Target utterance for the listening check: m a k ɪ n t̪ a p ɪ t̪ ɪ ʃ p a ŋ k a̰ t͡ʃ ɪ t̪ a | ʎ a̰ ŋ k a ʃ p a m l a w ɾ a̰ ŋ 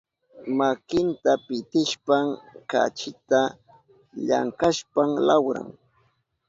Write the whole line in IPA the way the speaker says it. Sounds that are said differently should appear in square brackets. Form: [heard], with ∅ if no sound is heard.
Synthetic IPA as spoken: m a k ɪ n t̪ a p ɪ t̪ ɪ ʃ p a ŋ k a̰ t͡ʃ ɪ t̪ a | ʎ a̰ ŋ k a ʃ p a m l a w ɾ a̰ ŋ